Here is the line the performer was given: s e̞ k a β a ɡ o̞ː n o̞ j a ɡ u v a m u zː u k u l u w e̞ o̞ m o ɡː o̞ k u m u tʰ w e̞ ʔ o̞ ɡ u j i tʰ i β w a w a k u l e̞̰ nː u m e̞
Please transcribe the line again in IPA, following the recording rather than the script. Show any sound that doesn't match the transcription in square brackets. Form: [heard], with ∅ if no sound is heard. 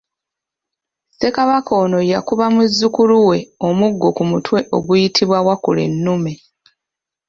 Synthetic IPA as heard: s e̞ k a β a [k] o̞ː n o̞ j a [k] u [β] a m u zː u k u l u w e̞ o̞ m [u] ɡː o̞ k u m u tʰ w e̞ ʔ o̞ ɡ u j i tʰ i β w a w a k u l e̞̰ nː u m e̞